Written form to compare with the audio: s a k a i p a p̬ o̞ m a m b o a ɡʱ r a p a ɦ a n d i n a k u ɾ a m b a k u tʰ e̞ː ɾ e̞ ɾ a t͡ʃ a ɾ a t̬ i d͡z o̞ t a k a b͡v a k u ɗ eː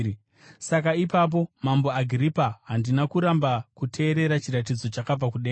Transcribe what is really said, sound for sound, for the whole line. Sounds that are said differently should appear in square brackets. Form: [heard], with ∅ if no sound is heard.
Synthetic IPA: s a k a i p a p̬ o̞ m a m b o a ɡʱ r [i] p a ɦ a n d i n a k u ɾ a m b a k u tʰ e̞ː ɾ e̞ ɾ a t͡ʃ [i] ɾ a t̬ i d͡z o̞ [t͡ʃ] a k a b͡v a k u ɗ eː